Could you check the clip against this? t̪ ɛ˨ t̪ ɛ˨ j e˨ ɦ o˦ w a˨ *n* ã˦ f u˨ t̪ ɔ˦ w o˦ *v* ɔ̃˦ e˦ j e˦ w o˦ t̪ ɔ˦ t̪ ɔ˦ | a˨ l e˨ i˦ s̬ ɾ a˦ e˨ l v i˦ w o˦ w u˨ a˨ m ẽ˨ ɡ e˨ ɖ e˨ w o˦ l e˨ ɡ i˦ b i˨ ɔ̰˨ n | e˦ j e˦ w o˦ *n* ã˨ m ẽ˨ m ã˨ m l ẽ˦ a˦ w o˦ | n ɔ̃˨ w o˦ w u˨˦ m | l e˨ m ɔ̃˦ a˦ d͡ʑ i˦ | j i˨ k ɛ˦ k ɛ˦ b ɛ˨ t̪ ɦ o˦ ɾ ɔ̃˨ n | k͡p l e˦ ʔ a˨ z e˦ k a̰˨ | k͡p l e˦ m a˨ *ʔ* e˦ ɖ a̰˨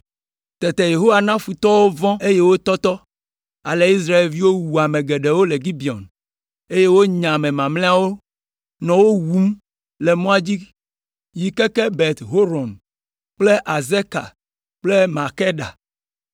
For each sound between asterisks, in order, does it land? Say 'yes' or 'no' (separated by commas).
yes, yes, no, no